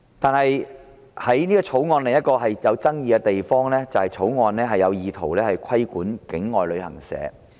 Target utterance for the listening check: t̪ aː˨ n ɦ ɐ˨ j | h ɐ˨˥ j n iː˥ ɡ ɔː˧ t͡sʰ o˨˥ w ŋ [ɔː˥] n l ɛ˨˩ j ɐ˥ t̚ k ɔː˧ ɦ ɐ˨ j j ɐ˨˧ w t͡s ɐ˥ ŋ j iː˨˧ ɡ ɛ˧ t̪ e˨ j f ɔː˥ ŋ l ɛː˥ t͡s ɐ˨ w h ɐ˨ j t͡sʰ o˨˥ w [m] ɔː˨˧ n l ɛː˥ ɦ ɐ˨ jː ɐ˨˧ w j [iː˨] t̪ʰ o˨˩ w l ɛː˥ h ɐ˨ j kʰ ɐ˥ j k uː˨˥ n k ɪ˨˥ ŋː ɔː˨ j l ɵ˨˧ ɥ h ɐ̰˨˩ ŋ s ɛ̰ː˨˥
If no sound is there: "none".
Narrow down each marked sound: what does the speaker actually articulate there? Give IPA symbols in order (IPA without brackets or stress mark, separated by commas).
ɔː˧, ŋ, iː˨